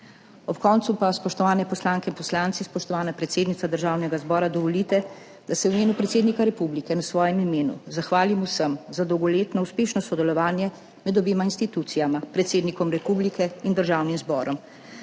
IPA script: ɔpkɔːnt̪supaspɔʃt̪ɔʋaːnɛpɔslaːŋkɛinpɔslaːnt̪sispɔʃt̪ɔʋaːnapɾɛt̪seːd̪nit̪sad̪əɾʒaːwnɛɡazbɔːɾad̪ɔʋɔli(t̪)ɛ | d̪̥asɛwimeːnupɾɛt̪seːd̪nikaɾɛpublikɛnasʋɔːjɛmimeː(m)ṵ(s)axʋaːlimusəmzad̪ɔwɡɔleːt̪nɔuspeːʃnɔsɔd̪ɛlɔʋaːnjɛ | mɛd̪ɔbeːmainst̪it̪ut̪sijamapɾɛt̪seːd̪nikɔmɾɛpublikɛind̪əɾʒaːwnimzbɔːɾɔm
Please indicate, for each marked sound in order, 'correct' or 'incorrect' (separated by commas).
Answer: correct, incorrect, incorrect